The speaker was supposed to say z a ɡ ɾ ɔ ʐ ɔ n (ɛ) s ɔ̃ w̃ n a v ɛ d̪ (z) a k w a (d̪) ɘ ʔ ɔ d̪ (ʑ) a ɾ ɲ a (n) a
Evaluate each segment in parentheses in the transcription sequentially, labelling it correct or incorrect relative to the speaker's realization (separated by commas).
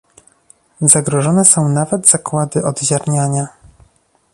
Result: correct, correct, correct, correct, incorrect